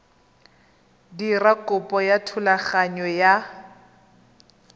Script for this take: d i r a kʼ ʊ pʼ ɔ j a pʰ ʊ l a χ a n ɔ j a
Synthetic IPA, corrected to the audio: d i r a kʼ ʊ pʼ ɔ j a tʰ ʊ l a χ a ɲ ɔ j a